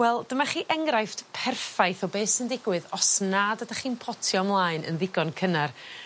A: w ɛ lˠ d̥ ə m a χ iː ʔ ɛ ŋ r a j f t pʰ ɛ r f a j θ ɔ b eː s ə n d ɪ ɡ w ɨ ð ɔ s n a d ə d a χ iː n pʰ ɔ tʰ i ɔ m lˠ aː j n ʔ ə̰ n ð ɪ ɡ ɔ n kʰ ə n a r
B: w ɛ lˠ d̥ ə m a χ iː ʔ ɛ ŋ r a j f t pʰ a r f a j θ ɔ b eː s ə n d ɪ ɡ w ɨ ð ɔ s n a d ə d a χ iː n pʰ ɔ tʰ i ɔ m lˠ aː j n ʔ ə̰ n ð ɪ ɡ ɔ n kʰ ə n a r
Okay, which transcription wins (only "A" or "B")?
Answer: A